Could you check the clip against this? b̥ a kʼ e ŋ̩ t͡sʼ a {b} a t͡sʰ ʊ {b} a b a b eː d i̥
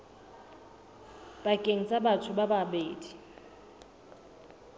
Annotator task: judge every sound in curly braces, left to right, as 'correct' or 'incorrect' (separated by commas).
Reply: correct, correct